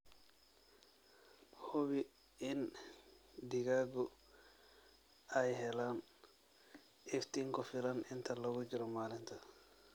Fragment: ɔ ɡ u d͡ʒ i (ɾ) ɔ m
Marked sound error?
no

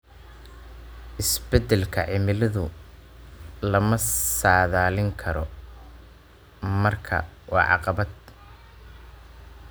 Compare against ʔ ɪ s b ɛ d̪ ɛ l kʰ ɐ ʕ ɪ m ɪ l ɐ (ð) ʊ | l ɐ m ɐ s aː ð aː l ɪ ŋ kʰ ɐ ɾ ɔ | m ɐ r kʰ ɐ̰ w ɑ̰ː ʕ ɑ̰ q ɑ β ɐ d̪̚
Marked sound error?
no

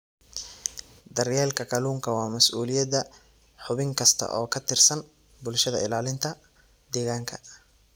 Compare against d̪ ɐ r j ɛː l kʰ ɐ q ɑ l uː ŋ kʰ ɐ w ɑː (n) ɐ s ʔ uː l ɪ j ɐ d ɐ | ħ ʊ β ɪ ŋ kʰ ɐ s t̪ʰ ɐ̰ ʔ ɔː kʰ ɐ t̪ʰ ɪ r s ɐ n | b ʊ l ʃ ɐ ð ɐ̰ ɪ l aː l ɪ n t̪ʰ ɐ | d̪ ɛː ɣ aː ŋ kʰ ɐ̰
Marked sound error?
yes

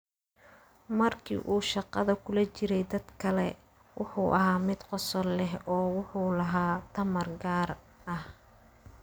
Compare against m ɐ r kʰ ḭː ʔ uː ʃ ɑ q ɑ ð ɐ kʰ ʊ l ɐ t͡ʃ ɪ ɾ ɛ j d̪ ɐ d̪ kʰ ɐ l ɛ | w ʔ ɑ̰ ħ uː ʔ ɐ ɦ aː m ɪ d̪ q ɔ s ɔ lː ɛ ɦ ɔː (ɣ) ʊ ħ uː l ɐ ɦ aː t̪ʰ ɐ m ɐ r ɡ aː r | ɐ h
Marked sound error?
yes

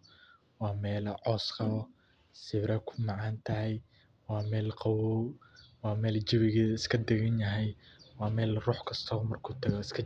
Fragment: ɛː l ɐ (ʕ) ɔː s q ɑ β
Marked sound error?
no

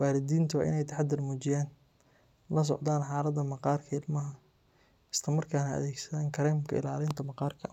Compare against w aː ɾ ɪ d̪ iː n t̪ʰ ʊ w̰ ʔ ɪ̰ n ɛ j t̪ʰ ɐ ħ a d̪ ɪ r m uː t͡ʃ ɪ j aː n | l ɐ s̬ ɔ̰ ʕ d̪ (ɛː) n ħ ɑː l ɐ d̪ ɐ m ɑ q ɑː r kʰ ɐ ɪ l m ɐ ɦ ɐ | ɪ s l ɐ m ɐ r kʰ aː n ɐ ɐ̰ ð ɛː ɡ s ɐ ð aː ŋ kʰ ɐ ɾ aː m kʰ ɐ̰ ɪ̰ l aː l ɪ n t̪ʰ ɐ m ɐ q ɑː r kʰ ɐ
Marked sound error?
yes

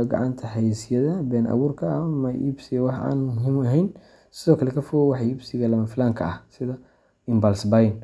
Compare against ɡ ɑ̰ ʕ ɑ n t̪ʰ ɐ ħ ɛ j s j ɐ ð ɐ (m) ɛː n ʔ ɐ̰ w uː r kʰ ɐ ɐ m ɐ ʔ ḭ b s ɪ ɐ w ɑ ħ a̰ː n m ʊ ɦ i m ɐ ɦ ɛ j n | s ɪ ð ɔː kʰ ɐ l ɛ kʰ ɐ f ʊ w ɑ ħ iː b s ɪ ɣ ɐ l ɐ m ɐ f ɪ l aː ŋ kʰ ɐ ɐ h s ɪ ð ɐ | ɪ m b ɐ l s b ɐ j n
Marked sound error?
yes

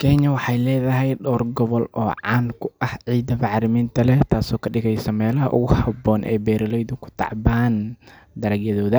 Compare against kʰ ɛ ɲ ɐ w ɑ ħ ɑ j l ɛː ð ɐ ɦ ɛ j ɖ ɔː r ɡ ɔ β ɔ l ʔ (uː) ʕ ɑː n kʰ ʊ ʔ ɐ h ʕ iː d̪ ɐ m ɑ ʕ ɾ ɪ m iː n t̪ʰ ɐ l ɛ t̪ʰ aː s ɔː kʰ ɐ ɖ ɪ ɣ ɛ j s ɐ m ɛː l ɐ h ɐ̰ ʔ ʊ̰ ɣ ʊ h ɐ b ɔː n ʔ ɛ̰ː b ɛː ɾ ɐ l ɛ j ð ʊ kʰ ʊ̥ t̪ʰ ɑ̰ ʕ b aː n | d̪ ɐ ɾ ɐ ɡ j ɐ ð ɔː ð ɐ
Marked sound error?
yes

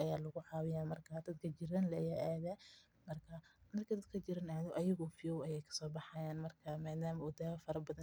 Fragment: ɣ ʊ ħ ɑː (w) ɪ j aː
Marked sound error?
no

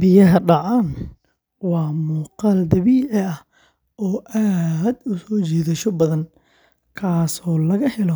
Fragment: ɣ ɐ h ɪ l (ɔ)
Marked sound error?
no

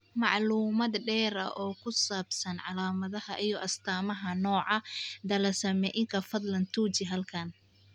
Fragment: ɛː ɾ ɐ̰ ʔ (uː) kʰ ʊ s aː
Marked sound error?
yes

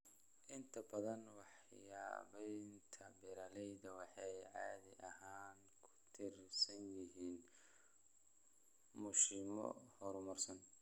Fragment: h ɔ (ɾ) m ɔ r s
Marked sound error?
no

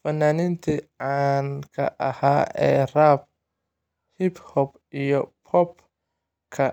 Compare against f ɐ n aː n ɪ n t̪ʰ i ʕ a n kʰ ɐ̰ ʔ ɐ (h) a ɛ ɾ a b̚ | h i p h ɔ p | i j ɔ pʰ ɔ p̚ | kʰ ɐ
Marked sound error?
no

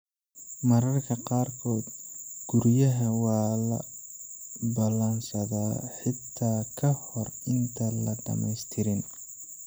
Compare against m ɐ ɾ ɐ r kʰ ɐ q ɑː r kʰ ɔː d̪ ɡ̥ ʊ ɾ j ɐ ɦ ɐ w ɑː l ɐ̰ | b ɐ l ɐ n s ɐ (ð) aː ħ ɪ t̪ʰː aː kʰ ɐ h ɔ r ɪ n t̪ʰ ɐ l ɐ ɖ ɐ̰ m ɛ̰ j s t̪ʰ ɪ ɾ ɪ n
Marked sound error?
no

